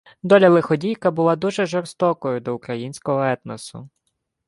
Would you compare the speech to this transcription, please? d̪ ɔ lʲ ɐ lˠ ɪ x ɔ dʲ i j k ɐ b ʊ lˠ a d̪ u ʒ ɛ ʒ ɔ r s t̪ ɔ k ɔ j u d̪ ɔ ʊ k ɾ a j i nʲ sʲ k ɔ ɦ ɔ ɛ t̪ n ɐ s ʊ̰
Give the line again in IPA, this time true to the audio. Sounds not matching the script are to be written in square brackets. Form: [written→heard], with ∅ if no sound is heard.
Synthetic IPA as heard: d̪ ɔ lʲ ɐ lˠ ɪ x ɔ dʲ i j k ɐ b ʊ lˠ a d̪ u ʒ ɛ ʒ ɔ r s t̪ ɔ k ɔ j [u→ʊ] d̪ ɔ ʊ k ɾ [a→ɐ] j i nʲ sʲ k ɔ ɦ ɔ ɛ t̪ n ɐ s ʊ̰